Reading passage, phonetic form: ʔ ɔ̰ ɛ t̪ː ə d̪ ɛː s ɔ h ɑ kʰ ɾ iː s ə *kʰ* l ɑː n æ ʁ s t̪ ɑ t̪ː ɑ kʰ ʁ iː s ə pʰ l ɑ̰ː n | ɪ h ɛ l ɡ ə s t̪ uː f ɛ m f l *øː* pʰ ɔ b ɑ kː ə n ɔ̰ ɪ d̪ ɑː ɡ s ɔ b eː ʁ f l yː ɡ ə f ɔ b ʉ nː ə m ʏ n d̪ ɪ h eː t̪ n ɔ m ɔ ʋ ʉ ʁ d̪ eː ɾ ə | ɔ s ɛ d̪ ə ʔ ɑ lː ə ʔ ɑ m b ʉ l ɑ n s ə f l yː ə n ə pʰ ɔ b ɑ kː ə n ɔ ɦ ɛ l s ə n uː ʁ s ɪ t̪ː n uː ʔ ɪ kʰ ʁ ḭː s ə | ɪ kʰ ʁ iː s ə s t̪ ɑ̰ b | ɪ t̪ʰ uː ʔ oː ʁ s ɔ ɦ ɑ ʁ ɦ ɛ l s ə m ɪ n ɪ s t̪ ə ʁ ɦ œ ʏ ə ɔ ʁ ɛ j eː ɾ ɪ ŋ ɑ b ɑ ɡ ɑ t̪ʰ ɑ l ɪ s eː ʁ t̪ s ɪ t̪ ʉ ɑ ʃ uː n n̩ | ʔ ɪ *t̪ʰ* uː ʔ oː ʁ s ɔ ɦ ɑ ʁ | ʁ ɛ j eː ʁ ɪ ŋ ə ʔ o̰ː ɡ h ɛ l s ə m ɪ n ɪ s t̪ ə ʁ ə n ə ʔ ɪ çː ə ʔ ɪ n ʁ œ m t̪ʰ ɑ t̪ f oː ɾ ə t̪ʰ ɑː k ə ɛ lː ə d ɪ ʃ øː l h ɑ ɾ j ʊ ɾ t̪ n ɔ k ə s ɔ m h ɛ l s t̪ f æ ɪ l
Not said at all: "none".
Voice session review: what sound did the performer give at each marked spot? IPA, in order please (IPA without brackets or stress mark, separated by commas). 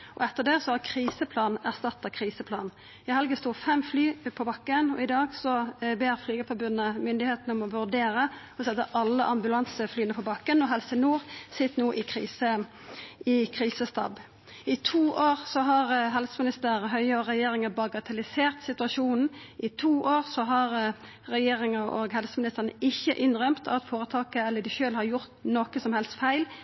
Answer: pʰ, yː, t̪ʰ